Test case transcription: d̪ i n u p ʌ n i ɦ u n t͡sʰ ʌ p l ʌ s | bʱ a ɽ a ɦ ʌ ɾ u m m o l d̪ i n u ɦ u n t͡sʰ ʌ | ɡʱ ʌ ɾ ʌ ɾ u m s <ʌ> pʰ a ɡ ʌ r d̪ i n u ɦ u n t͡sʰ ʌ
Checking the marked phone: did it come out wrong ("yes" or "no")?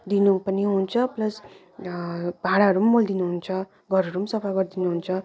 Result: no